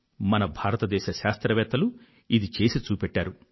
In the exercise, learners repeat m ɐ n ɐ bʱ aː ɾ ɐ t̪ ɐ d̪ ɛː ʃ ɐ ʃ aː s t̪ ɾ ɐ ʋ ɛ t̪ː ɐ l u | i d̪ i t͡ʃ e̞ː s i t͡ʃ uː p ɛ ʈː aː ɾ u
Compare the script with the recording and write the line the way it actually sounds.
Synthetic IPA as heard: m ɐ n ɐ bʱ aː ɾ ɐ t̪ ɐ d̪ ɛː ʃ ɐ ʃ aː s t̪ ɾ ɐ ʋ ɛː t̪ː ɐ l u | i d̪ i t͡ʃ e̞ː s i t͡ʃ uː p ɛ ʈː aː ɾ u